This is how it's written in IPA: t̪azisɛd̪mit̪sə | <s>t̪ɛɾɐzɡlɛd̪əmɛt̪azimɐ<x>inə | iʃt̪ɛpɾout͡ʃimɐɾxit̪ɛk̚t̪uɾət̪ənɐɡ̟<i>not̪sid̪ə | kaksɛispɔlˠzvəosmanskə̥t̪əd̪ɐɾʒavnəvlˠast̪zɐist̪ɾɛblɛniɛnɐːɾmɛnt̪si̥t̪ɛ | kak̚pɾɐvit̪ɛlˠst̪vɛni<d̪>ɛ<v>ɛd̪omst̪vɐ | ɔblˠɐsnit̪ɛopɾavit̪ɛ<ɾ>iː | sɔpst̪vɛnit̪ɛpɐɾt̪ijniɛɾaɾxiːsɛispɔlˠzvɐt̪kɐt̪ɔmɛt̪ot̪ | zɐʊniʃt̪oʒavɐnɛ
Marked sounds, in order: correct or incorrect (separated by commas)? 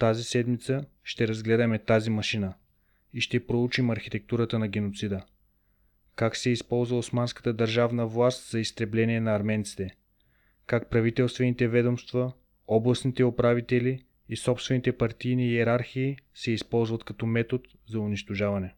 incorrect, incorrect, incorrect, incorrect, correct, incorrect